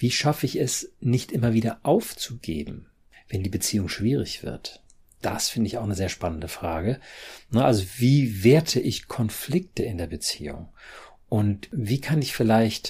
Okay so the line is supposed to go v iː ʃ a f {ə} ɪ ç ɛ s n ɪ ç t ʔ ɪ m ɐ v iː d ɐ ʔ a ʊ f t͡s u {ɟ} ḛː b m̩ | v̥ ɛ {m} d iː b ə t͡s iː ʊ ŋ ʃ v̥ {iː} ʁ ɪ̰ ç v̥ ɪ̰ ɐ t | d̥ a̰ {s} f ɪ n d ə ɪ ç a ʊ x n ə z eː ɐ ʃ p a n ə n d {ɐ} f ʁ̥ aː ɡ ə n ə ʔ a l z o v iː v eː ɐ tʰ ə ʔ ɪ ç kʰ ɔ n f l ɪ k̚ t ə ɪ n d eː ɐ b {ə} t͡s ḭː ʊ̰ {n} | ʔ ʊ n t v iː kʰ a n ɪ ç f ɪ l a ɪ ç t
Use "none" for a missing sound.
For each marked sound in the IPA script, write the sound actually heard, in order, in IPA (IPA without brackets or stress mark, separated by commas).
ə, ɡ, n, iː, s, ə, ə, ŋ